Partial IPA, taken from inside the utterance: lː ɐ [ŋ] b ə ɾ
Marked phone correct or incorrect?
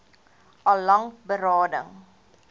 correct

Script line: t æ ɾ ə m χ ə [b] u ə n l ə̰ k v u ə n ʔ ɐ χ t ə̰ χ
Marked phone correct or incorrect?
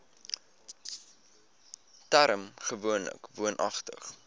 incorrect: v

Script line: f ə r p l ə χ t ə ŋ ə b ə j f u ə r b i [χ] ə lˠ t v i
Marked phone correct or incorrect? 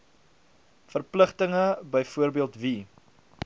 incorrect: none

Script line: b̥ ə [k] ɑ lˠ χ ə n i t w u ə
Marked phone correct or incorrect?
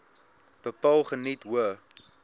incorrect: p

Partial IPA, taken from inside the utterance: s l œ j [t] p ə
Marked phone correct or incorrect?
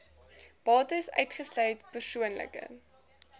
correct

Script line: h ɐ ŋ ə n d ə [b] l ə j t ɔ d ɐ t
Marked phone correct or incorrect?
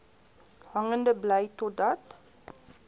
correct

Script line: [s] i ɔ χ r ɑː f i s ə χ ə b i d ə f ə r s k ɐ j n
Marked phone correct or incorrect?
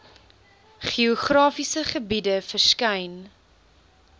incorrect: χ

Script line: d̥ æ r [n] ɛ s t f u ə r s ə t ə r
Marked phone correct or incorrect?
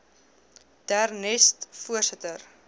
correct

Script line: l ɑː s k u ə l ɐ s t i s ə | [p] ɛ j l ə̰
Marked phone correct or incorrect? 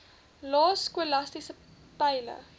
correct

